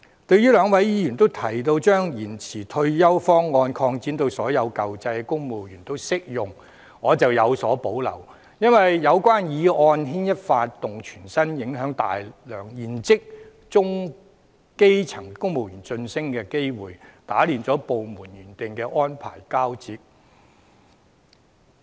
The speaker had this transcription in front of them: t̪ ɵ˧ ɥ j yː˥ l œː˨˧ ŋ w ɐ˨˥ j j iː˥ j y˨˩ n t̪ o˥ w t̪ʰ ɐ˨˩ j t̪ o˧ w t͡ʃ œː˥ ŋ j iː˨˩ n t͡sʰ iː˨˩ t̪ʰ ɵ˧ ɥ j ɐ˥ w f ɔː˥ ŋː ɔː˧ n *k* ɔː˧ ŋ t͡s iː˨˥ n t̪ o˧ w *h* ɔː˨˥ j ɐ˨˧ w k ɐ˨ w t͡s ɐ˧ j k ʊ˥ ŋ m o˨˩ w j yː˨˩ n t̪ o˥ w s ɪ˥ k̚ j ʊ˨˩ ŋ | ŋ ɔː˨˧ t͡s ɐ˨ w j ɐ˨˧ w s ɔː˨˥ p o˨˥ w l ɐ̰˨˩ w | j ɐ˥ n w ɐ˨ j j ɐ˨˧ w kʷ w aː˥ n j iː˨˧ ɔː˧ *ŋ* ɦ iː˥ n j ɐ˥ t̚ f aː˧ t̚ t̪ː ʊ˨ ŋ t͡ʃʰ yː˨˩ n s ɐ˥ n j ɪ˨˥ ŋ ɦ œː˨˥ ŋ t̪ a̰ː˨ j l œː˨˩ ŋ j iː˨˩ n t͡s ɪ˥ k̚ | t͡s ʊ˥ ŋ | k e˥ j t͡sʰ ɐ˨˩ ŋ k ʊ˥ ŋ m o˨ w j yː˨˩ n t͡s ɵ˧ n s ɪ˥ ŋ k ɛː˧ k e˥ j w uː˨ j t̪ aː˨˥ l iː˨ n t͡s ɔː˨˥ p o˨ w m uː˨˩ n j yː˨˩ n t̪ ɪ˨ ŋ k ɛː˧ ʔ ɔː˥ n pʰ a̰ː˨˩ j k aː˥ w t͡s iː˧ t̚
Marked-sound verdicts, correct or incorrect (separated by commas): incorrect, incorrect, incorrect